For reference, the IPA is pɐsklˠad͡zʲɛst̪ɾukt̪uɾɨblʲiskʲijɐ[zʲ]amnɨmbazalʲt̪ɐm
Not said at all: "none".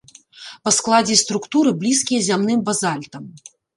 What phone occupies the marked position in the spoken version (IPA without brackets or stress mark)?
zʲ